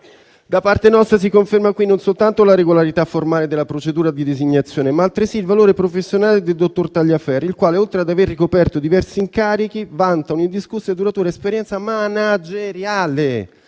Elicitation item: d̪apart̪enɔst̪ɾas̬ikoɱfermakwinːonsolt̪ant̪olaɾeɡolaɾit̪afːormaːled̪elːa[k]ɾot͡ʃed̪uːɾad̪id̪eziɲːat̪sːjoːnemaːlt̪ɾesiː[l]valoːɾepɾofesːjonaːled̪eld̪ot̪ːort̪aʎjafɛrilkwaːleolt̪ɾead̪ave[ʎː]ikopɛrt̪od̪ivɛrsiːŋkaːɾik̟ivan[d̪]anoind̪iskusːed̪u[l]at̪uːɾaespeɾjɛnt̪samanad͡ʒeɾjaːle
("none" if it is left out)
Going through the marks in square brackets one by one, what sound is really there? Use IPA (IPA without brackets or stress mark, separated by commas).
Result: p, l, rː, t̪, ɾ